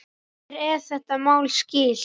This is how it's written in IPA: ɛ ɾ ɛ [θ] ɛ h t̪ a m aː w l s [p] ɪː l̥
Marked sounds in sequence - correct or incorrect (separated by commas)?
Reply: correct, incorrect